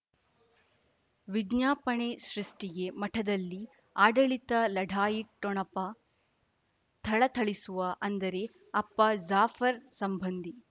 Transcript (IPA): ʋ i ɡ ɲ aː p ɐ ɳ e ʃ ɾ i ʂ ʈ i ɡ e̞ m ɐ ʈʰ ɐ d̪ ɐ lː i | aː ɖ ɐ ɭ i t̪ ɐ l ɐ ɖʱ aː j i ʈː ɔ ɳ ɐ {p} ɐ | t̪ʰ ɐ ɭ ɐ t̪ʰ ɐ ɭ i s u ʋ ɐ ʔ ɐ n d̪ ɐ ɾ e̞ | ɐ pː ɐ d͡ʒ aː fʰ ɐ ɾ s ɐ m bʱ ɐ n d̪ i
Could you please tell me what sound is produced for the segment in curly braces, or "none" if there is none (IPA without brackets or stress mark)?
p